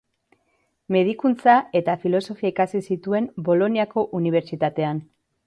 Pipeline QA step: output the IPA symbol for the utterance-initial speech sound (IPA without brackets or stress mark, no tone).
m